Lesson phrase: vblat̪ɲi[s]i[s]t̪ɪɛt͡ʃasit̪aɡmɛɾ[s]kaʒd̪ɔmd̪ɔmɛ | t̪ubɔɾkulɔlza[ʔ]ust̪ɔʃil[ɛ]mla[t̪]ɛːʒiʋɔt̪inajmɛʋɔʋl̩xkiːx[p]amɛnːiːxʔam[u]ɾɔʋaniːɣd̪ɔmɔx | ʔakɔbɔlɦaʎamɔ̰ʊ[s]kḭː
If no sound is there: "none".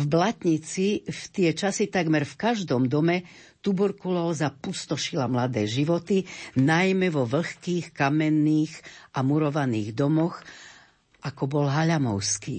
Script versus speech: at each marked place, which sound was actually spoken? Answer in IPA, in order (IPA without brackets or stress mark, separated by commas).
t͡s, f, f, p, a, d̪, k, u, s